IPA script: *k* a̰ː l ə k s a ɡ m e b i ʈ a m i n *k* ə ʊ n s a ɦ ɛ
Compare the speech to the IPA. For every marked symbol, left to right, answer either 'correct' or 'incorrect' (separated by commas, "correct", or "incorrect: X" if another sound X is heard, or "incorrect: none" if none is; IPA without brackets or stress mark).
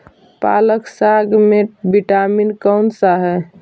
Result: incorrect: p, correct